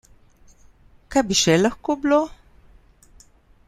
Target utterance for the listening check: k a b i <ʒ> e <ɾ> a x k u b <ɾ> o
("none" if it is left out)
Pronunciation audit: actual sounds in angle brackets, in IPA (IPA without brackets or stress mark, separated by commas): ʃ, l, l